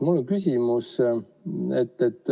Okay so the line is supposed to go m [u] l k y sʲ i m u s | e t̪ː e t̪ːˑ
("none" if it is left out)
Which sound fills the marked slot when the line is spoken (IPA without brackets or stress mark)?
u